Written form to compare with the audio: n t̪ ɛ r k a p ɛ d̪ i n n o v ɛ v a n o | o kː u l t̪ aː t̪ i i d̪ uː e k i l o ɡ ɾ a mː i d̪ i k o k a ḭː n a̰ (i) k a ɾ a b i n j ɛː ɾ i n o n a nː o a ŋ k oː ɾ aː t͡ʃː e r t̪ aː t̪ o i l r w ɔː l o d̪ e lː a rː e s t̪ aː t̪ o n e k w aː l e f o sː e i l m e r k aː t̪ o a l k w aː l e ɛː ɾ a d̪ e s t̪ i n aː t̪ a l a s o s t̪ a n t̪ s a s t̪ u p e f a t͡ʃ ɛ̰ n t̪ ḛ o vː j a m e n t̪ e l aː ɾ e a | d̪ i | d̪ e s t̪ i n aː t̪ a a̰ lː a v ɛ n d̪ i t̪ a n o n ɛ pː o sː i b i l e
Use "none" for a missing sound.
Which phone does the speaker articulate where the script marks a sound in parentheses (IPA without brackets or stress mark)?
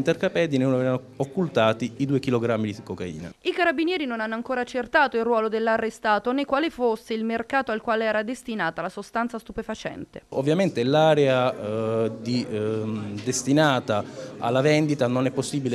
i